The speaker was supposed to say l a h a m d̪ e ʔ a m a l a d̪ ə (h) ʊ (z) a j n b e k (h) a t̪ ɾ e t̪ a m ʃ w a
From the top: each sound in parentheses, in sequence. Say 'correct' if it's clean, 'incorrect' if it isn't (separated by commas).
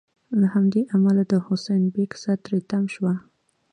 correct, incorrect, incorrect